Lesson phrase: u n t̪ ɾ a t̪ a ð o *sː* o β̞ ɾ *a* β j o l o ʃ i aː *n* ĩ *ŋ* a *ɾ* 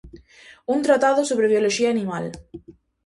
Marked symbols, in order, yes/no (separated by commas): no, no, yes, no, no